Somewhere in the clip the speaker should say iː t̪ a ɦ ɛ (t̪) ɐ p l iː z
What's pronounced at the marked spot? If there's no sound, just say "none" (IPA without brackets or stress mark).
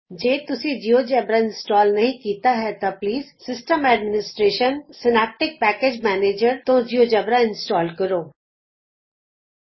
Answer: t̪